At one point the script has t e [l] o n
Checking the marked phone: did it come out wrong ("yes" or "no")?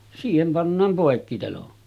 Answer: no